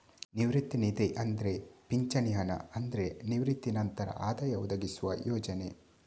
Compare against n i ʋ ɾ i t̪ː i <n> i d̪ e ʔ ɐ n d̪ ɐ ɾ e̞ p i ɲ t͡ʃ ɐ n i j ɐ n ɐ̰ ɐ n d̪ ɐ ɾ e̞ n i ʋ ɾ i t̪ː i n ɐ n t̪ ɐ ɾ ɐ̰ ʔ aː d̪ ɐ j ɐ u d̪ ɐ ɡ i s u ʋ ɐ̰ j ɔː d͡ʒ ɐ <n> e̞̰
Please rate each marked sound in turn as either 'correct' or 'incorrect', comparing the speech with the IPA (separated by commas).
correct, correct